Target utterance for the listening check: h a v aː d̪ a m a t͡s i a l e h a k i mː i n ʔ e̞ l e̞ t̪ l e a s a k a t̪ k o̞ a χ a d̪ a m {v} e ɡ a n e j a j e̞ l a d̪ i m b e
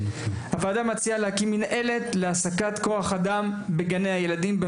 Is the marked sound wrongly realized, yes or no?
yes